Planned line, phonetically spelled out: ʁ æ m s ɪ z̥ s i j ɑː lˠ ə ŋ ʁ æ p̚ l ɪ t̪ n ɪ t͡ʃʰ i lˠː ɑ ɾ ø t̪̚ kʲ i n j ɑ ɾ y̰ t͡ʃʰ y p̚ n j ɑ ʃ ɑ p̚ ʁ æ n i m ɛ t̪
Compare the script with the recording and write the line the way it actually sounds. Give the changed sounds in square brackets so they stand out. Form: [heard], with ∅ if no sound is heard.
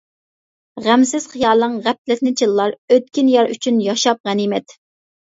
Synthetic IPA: ʁ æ m s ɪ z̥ [χ] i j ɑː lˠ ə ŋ ʁ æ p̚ l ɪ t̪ n ɪ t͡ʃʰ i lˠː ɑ ɾ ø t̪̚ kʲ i n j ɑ ɾ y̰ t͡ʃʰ y [∅] n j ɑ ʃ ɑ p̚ ʁ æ n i m ɛ t̪